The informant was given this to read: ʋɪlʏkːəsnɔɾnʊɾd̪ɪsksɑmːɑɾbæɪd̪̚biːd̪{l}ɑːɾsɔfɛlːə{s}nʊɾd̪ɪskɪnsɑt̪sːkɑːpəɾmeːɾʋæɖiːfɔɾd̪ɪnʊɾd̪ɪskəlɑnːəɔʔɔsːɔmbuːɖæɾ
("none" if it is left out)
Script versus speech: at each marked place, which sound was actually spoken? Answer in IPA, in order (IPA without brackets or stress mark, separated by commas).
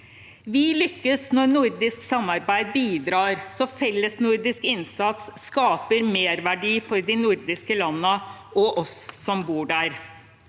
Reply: ɾ, s